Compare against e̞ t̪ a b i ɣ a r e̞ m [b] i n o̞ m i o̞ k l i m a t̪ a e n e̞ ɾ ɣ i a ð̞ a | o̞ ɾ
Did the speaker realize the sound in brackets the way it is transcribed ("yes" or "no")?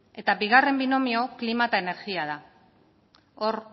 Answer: yes